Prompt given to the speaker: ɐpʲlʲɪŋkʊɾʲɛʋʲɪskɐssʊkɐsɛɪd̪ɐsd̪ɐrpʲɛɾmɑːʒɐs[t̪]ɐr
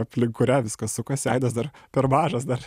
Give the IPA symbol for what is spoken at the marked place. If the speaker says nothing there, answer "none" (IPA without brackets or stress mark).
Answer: d̪